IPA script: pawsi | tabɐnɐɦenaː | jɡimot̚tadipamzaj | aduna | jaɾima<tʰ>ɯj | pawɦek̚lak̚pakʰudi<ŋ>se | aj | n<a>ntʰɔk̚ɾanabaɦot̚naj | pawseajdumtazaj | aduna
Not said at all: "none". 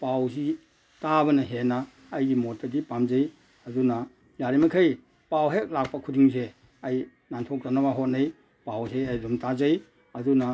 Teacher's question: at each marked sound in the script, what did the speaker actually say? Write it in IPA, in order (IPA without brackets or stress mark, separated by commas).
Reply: kʰ, ŋ, a